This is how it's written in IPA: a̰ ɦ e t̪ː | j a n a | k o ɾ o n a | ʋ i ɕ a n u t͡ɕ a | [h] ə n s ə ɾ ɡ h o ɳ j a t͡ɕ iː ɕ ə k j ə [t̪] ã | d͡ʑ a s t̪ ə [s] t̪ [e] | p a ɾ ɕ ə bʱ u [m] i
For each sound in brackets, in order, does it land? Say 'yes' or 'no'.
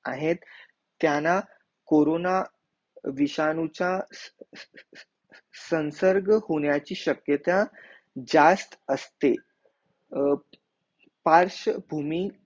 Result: no, yes, yes, yes, yes

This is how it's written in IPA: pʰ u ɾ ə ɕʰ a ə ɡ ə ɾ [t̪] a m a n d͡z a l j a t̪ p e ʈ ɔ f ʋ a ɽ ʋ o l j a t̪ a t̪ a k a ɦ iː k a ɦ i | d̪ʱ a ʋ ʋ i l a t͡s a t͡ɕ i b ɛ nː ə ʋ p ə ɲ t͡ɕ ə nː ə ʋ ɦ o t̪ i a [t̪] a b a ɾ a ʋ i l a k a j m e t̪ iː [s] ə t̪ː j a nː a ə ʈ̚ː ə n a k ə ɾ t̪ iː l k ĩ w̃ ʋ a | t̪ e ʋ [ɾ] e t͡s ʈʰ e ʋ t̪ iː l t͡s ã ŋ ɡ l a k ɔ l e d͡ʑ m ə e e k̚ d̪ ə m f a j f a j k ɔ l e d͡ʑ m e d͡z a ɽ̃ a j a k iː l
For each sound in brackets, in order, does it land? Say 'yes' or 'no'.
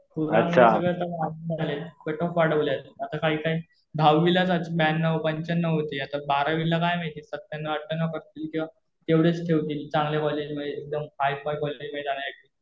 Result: yes, yes, yes, no

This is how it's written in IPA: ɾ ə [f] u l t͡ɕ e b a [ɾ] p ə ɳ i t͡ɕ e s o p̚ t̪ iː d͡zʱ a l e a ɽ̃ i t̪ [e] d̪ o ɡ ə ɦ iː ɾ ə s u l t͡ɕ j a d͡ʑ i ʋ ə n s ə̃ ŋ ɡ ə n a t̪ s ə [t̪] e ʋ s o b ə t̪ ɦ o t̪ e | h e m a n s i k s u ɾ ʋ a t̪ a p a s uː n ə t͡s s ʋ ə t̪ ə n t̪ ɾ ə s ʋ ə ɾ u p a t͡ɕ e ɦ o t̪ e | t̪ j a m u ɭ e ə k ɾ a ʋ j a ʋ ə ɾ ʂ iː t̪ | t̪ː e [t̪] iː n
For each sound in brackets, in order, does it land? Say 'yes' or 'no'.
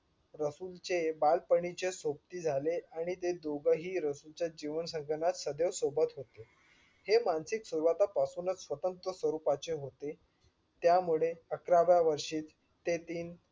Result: no, no, yes, no, yes

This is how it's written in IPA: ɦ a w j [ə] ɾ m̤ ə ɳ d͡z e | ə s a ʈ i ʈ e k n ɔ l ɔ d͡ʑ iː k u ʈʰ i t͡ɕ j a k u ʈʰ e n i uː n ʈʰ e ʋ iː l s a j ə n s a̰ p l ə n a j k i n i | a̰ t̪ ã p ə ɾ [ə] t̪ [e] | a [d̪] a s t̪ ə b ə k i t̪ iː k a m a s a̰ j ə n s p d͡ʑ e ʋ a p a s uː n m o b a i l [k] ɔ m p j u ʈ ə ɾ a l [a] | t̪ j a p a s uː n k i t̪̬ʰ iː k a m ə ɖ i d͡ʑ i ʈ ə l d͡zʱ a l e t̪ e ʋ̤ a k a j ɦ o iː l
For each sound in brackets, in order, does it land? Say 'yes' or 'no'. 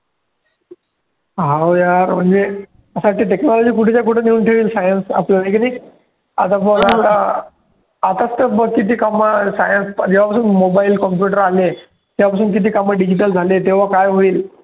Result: no, no, no, no, yes, no

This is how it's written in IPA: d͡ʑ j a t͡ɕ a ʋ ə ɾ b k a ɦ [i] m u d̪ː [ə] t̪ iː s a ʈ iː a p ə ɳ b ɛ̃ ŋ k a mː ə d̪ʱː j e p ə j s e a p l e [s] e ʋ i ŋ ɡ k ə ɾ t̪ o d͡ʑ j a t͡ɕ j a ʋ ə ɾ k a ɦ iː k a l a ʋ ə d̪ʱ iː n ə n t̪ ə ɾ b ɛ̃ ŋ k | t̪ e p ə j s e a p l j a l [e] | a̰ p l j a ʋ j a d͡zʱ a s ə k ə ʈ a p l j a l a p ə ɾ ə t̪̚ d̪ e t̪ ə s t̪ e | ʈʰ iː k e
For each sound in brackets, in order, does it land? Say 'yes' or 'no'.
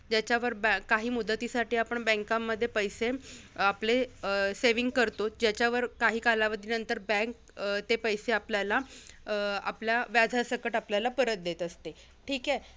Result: no, yes, yes, no

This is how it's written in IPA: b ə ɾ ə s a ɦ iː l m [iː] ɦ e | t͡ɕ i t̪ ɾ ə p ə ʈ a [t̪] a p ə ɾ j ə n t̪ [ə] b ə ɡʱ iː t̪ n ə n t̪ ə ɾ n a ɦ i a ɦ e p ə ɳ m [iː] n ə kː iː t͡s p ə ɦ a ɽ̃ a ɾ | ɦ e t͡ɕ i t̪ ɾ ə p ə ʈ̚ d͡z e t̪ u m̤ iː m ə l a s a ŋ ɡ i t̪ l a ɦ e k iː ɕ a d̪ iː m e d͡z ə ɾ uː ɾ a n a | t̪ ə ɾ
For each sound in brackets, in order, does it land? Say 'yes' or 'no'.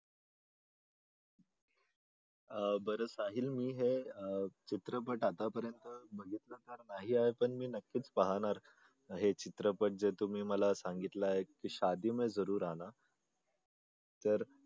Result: yes, yes, yes, yes

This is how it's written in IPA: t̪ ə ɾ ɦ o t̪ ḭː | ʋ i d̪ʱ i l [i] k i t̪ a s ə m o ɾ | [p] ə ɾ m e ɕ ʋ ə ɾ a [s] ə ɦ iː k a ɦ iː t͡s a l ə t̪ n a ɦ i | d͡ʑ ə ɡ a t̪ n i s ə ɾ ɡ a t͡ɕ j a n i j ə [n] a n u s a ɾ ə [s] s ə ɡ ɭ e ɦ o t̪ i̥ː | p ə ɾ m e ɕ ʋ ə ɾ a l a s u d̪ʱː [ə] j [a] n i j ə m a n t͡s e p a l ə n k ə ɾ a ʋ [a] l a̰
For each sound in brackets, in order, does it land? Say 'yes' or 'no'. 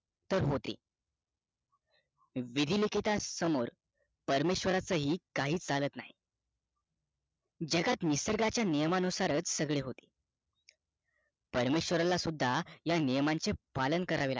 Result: yes, yes, no, no, no, no, yes, no

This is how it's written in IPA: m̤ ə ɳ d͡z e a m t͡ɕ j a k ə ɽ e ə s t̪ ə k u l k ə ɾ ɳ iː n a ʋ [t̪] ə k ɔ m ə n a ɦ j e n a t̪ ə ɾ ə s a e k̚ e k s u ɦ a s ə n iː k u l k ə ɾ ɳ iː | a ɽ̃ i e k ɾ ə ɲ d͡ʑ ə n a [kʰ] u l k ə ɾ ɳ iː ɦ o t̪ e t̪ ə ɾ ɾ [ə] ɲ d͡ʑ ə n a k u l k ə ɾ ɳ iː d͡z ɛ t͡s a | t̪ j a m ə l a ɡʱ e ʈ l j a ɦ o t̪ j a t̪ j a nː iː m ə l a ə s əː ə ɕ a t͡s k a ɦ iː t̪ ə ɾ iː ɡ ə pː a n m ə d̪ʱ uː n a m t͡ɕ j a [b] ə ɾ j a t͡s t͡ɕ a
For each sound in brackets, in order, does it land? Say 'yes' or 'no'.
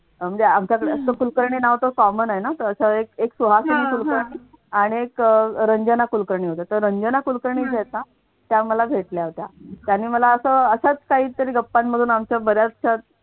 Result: yes, no, yes, yes

